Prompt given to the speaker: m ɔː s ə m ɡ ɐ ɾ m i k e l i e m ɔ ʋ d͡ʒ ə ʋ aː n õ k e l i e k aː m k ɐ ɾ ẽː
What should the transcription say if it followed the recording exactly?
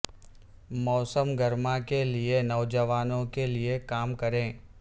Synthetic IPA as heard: m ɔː s ə m ɡ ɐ ɾ m a k e l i e n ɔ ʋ d͡ʒ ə ʋ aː n õ k e l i e k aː m k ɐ ɾ ẽː